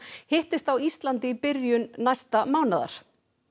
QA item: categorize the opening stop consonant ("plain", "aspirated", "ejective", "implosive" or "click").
plain